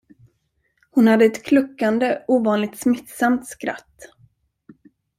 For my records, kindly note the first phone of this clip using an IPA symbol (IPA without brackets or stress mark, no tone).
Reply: h